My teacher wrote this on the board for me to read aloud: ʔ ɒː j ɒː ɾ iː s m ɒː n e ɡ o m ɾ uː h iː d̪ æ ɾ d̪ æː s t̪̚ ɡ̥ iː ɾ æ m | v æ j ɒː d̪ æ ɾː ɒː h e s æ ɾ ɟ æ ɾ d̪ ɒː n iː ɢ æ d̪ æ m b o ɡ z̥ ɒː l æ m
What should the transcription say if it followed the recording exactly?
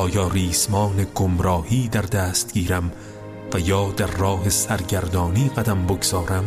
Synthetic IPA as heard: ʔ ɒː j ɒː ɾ iː s m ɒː n e ɡ o m ɾ ɒː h iː d̪ æ ɾ d̪ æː s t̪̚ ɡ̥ iː ɾ æ m | v æ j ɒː d̪ æ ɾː ɒː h e s æ ɾ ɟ æ ɾ d̪ ɒː n iː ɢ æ d̪ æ m b o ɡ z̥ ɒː ɾ æ m